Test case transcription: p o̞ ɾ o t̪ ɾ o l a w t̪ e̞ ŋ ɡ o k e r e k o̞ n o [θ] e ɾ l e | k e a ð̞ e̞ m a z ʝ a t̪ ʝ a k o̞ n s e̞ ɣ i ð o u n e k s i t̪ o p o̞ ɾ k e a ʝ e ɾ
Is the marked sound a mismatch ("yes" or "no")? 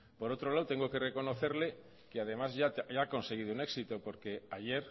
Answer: no